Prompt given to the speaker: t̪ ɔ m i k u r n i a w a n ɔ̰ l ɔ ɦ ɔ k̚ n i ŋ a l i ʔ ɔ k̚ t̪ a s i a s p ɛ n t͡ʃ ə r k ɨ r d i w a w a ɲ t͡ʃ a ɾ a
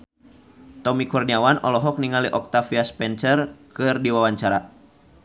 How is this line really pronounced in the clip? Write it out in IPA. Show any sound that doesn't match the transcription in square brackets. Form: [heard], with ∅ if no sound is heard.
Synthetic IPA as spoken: t̪ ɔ m i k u r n i a w a n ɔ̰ l ɔ ɦ ɔ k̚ n i ŋ a l i ʔ ɔ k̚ t̪ a [f] i a s p ɛ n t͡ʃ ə r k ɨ r d i w a w a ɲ t͡ʃ a ɾ a

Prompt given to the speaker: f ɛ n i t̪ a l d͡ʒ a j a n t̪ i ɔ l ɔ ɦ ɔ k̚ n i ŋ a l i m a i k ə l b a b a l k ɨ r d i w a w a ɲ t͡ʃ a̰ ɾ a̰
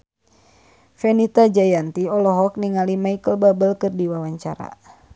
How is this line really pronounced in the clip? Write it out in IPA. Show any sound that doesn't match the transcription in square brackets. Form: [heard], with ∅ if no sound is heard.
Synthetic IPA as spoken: f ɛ n i t̪ a [∅] d͡ʒ a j a n t̪ i ɔ l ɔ ɦ ɔ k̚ n i ŋ a l i m a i k ə l b a b [ə] l k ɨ r d i w a w a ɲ t͡ʃ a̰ ɾ a̰

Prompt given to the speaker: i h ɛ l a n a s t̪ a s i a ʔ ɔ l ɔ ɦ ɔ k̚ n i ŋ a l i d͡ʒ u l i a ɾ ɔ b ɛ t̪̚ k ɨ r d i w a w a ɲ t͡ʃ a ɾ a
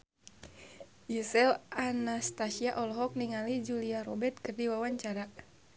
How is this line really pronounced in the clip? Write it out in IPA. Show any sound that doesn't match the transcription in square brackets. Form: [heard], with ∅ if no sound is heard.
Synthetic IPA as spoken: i [s] ɛ l a n a s t̪ a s i a ʔ ɔ l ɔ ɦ ɔ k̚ n i ŋ a l i d͡ʒ u l i a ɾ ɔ b ɛ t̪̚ k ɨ r d i w a w a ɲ t͡ʃ a ɾ a

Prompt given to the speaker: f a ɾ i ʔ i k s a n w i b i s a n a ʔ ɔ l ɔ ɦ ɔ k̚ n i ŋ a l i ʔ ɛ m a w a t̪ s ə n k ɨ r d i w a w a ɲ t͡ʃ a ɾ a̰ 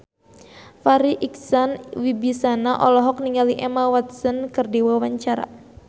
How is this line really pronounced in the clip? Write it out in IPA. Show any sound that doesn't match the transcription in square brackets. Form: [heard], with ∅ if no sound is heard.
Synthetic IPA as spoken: f a ɾ i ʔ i k s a n w i b i s a n a ʔ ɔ l ɔ ɦ ɔ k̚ n i ŋ a l i ʔ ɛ m a w a t̪ s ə n k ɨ r d i w a w a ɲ t͡ʃ a ɾ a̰

